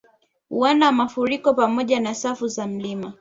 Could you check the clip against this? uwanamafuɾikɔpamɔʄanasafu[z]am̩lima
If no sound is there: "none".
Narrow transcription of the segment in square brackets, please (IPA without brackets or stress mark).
z